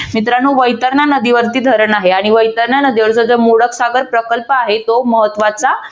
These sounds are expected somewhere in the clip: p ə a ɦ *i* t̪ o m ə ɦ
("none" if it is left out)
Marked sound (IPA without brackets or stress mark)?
e